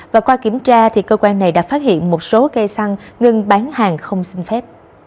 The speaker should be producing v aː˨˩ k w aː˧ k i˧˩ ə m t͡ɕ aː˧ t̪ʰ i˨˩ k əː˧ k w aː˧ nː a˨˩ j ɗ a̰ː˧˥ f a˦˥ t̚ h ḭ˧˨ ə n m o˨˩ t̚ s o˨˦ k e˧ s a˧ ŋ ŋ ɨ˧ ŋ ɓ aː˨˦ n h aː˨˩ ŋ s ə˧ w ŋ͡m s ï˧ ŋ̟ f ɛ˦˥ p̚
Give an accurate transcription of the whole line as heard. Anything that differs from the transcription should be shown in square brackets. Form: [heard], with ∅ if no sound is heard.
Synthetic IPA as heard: v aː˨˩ k w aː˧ k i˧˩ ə m t͡ɕ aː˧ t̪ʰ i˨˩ k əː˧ k w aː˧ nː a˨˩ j ɗ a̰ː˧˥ f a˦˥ t̚ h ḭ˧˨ ə n m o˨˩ t̚ s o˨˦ k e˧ s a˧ ŋ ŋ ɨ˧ ŋ ɓ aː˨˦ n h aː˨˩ ŋ [x] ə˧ w ŋ͡m s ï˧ ŋ̟ f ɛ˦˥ p̚